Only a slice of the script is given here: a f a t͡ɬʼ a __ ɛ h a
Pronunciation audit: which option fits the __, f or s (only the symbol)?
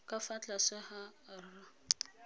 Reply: s